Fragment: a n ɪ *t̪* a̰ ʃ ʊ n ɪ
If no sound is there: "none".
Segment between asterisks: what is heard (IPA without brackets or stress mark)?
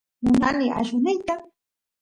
none